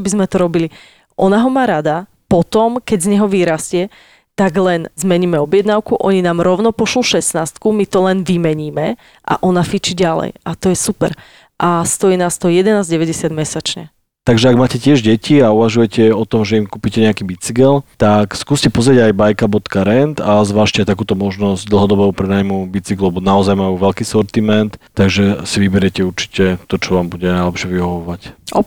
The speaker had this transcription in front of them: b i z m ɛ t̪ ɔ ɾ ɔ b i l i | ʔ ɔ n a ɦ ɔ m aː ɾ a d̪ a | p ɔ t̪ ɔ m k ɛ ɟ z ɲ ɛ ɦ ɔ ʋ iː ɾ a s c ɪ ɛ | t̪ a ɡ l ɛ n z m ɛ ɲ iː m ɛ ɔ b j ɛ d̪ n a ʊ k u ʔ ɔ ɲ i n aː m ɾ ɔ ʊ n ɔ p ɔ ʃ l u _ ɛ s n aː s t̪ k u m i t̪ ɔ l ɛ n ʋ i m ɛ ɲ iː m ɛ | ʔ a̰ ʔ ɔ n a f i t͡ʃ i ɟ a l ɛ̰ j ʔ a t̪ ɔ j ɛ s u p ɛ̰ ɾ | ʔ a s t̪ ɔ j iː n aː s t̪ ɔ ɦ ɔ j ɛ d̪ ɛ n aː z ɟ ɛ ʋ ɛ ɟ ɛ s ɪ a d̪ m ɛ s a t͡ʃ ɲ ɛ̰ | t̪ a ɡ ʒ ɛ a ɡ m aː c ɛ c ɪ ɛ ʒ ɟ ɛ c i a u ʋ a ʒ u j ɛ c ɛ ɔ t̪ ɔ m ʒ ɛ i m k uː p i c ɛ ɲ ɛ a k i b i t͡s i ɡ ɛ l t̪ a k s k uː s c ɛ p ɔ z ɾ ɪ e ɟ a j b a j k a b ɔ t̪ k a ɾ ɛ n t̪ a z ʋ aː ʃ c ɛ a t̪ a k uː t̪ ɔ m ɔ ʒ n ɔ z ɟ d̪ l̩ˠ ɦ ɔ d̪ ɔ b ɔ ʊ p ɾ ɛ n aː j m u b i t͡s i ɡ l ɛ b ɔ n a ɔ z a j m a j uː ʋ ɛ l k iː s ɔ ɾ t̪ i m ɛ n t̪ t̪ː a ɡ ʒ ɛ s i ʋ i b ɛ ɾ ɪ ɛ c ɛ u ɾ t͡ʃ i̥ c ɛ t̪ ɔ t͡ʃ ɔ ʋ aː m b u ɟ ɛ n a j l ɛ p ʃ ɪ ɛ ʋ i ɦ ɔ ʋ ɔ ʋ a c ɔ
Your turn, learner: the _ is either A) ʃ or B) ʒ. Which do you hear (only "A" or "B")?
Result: A